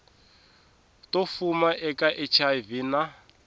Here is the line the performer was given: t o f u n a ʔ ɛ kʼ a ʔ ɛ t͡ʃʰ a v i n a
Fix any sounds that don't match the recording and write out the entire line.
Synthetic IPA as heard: t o f u m a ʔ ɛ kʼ a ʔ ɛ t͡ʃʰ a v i n a